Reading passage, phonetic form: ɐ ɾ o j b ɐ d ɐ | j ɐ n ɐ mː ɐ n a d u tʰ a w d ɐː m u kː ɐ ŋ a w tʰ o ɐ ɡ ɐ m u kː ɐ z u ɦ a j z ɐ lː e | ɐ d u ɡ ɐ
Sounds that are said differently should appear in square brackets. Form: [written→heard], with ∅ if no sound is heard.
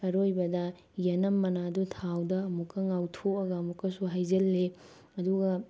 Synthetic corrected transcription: ɐ ɾ o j b ɐ d ɐ | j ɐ n ɐ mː ɐ n a d u tʰ a w d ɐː m u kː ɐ ŋ a w tʰ o ɐ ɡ ɐ m u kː ɐ [z→s] u ɦ a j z ɐ lː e | ɐ d u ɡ ɐ